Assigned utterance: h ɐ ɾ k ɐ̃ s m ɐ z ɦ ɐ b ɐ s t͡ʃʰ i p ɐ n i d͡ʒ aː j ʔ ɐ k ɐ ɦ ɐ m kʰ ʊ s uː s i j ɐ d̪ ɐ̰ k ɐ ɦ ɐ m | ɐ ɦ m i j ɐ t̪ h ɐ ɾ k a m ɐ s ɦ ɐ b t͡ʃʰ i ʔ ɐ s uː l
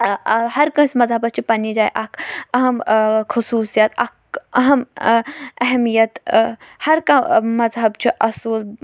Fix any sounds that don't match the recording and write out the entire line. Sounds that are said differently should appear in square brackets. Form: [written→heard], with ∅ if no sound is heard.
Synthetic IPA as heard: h ɐ ɾ k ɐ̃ s m ɐ z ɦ ɐ b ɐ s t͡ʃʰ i p ɐ n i d͡ʒ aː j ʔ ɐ k ɐ ɦ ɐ m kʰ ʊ s uː s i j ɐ [d̪→t̪] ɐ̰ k ɐ ɦ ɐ m | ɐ ɦ m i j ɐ t̪ h ɐ ɾ k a m ɐ [s→z] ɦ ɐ b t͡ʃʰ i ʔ ɐ s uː l

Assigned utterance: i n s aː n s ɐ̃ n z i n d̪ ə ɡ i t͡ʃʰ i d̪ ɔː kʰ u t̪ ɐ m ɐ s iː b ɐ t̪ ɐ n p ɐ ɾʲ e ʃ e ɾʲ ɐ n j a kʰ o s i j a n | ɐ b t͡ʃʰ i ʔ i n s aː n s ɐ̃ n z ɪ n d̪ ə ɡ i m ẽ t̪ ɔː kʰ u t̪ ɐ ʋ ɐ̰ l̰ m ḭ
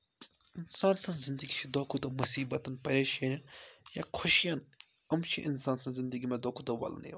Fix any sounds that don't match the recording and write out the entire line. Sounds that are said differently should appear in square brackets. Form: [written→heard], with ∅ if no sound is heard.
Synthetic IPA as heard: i n s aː n s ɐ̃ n z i n d̪ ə ɡ i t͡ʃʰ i d̪ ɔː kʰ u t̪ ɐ m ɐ s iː b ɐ t̪ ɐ n p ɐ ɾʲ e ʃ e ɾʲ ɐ n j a kʰ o [s→ʃ] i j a n | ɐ [b→m] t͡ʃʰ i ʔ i n s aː n s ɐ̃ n z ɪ n d̪ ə ɡ i m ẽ [t̪→d̪] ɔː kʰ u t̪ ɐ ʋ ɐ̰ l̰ [m→n] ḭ

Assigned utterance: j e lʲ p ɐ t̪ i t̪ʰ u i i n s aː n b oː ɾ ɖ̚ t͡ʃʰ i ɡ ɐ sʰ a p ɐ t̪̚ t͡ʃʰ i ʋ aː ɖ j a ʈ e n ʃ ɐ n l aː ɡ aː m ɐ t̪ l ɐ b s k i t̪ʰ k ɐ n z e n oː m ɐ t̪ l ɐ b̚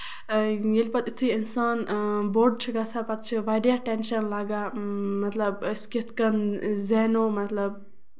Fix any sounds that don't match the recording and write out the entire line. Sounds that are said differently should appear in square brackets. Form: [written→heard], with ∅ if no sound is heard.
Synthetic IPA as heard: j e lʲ p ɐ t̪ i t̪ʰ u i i n s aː n b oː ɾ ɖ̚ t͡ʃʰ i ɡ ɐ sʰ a p ɐ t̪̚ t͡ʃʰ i ʋ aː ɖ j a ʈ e n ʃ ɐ n l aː ɡ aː m ɐ t̪ l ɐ b s k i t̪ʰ k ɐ n z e n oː m ɐ t̪ l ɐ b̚

